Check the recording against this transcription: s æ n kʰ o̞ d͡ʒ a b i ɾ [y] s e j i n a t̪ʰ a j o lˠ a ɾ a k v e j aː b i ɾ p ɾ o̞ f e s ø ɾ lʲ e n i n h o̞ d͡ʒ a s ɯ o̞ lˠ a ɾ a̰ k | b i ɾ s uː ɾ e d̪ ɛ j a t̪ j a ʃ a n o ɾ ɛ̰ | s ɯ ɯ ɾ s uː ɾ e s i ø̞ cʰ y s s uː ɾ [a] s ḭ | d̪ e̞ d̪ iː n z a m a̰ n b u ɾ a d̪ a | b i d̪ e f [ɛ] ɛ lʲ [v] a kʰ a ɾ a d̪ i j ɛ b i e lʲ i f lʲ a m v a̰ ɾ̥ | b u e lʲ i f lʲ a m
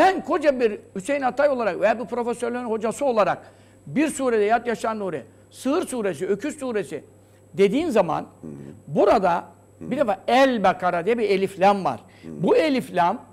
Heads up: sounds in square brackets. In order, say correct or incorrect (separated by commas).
correct, incorrect, incorrect, incorrect